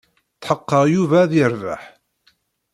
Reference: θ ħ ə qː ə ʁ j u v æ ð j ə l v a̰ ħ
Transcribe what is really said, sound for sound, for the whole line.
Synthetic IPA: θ ħ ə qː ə ʁ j u v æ ð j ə ɾ v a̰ ħ